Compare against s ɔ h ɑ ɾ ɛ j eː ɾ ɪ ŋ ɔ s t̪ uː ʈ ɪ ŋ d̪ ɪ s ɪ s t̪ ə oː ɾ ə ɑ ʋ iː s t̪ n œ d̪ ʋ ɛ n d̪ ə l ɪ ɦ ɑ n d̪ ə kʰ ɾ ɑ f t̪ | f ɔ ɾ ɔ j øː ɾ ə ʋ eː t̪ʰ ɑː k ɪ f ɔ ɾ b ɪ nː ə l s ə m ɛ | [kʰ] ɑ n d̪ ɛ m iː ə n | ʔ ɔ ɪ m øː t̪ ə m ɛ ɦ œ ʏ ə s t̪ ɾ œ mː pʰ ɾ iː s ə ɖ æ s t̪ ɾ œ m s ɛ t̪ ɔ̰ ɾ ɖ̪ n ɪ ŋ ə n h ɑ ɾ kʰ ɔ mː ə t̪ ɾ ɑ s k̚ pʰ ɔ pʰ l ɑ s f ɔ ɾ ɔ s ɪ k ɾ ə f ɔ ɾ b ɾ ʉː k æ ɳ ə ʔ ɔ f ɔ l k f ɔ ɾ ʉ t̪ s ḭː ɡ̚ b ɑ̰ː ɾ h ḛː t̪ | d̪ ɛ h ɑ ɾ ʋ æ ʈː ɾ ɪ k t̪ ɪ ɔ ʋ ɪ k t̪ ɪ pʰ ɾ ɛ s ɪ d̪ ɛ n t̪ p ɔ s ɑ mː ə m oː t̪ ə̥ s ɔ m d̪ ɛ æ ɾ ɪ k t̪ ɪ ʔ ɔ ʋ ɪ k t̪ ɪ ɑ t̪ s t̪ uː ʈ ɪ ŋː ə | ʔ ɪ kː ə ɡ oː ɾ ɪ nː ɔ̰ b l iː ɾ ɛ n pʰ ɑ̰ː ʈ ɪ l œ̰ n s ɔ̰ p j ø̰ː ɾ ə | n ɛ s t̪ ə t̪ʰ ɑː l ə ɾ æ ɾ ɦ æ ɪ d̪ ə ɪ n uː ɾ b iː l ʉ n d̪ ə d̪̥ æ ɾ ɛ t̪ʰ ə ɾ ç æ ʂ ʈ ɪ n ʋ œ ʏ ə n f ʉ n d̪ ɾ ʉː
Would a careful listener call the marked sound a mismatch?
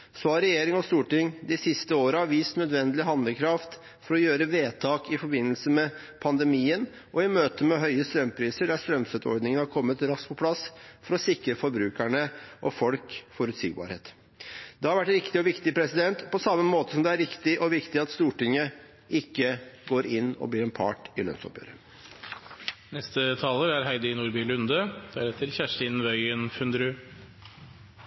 yes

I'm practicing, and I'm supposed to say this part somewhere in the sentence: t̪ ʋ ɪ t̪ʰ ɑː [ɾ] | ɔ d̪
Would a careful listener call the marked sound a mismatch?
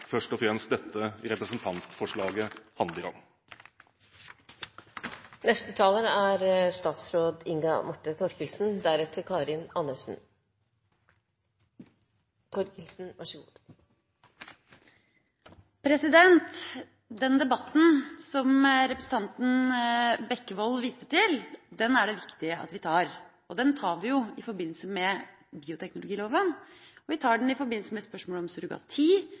no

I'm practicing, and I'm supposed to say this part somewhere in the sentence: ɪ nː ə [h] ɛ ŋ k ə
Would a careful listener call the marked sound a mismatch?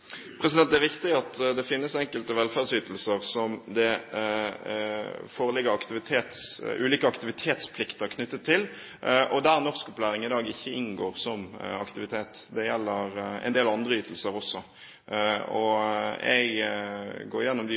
yes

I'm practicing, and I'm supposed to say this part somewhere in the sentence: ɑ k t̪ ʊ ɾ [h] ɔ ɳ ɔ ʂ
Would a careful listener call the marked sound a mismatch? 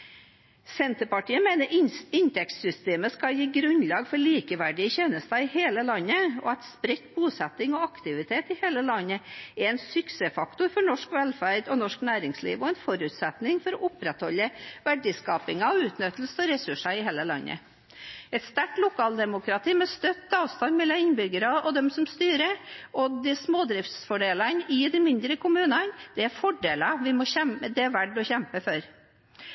yes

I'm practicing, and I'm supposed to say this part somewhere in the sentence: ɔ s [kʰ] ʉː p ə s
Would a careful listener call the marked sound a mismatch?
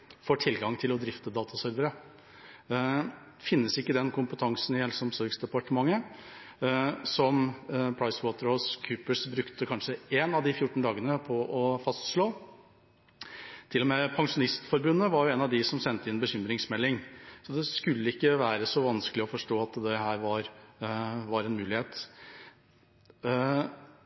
no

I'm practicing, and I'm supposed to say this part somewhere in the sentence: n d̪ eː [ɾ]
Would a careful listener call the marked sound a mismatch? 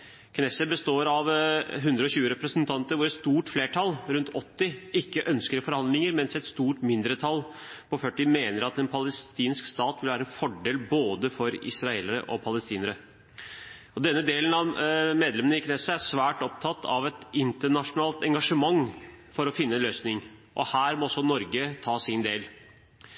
yes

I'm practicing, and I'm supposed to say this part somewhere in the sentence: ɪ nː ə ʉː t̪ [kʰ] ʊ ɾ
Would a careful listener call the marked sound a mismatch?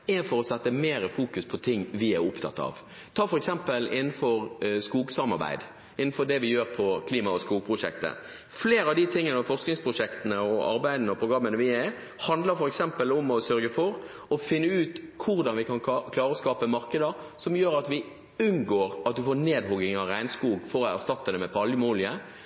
no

